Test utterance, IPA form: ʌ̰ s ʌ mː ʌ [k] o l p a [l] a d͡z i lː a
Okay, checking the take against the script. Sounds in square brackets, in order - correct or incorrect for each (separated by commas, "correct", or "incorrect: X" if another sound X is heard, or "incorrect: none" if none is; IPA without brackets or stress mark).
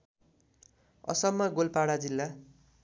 incorrect: ɡ, incorrect: ɽ